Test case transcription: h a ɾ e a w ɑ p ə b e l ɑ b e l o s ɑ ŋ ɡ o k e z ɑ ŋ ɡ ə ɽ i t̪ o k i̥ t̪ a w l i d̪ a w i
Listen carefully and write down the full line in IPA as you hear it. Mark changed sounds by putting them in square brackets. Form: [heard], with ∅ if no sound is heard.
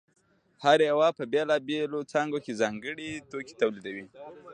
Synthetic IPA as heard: h a ɾ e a w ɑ p ə b e l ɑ b e l o [t͡s] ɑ ŋ ɡ o k e z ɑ ŋ ɡ ə ɽ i t̪ o k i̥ t̪ a w l i d̪ a w i